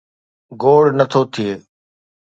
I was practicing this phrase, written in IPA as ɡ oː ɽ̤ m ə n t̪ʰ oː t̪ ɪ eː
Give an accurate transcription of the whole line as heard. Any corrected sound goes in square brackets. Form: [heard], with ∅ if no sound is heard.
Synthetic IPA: ɡ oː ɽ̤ [n] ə [∅] t̪ʰ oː [t̪ʰ] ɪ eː